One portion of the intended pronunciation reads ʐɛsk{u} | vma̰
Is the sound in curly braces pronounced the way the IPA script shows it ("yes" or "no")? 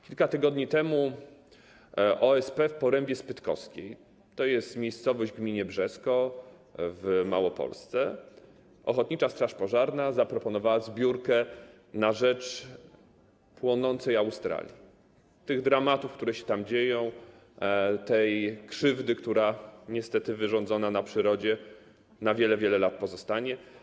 no